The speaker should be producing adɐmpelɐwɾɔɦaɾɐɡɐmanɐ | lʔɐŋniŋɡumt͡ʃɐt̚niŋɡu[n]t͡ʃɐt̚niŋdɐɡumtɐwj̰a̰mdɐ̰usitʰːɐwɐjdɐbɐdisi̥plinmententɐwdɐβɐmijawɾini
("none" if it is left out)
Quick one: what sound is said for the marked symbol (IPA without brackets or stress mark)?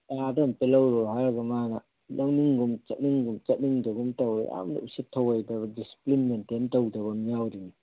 m